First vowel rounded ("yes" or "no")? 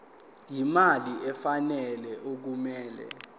no